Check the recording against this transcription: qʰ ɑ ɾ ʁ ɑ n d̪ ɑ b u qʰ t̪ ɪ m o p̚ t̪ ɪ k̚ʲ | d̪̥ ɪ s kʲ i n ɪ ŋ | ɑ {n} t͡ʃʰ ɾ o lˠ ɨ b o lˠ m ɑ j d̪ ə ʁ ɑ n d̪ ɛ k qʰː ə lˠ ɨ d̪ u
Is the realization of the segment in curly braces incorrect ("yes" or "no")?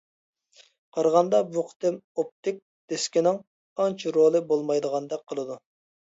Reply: no